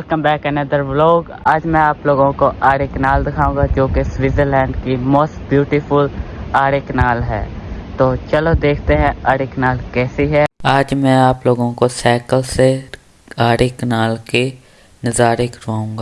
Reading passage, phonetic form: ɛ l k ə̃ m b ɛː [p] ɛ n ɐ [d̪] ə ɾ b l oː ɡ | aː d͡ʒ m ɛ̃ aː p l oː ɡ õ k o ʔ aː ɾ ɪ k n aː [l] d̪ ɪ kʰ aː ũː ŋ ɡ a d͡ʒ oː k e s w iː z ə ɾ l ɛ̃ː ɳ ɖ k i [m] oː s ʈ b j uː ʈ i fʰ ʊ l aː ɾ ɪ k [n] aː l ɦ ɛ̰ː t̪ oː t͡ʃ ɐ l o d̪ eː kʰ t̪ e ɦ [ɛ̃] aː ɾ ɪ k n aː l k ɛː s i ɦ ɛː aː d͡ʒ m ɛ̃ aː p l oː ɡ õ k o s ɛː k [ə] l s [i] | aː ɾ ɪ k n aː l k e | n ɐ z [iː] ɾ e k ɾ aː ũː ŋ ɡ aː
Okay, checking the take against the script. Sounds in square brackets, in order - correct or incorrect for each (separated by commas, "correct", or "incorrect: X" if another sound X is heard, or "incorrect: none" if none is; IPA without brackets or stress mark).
incorrect: k, correct, correct, correct, correct, correct, correct, incorrect: e, incorrect: aː